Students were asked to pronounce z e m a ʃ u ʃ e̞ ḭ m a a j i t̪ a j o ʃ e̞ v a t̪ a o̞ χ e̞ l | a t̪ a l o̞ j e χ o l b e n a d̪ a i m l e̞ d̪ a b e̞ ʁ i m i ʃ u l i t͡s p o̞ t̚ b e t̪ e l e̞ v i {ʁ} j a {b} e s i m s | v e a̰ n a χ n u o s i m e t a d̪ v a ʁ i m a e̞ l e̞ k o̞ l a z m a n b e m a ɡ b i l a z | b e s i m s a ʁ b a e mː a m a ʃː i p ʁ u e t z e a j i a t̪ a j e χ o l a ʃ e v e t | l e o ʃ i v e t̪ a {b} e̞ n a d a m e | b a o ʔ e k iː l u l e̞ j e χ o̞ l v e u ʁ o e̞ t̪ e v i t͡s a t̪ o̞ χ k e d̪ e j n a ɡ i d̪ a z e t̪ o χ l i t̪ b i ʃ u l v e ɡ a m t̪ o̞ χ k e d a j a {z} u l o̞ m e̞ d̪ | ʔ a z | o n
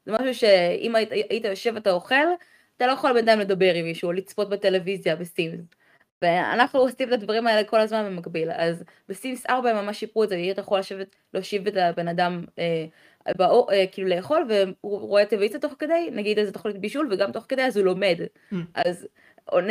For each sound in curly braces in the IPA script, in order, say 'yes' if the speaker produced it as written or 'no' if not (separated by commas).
no, yes, yes, yes